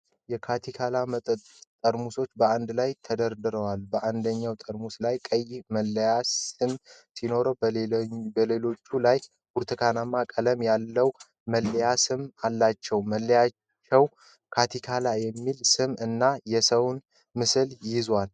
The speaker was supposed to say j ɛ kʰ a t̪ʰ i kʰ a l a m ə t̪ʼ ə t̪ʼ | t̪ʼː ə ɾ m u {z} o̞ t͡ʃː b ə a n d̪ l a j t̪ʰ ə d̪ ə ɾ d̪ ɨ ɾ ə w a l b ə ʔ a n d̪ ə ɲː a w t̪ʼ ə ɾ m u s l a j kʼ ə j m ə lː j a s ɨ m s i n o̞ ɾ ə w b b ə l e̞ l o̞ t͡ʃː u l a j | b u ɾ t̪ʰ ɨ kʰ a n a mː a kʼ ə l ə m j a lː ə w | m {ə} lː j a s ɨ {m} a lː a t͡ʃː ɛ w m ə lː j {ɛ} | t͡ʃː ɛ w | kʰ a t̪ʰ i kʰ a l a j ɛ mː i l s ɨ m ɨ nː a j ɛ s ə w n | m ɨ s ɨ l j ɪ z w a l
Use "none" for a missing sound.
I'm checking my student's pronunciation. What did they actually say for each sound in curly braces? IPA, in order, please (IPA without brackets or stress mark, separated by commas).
s, ə, m, a